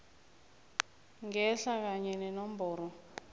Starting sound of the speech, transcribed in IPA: ŋ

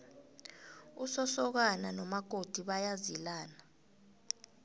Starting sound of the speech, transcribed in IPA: u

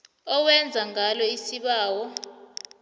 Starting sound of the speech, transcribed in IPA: ɔ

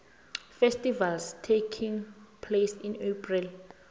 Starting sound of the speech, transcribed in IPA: f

